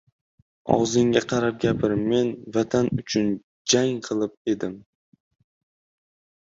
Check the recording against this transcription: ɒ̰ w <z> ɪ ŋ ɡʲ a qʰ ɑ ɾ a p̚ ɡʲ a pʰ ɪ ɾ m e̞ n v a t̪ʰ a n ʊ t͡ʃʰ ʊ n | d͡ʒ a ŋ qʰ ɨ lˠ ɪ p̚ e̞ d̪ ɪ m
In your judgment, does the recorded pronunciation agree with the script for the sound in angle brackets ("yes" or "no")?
yes